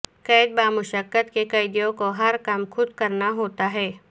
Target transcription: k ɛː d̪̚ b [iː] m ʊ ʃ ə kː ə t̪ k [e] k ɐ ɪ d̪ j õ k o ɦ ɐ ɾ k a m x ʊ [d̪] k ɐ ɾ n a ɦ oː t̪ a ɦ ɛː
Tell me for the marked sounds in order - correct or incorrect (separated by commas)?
incorrect, correct, correct